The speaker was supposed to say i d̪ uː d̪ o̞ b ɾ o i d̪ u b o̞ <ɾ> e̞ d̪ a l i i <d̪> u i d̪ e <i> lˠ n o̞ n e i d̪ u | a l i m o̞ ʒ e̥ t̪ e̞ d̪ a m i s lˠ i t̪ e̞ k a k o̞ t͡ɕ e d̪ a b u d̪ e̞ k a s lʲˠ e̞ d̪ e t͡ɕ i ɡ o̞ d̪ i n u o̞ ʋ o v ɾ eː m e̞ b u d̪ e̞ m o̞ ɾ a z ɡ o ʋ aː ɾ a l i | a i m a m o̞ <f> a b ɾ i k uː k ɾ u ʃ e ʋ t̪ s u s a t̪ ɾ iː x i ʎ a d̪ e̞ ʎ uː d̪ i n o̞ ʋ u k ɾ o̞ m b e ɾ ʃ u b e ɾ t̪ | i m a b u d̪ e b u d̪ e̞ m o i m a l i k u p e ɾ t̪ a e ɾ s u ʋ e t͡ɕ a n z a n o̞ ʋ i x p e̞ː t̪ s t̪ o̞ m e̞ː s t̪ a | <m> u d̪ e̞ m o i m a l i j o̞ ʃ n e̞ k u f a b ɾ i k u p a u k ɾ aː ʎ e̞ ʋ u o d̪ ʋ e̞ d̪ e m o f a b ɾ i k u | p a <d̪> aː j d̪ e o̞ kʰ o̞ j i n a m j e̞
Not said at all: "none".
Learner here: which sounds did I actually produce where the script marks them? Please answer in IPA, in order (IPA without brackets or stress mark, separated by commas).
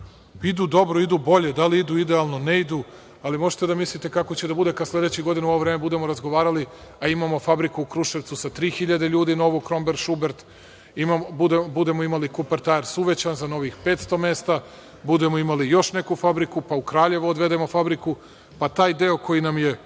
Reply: ʎ, d̪, a, f, b, t̪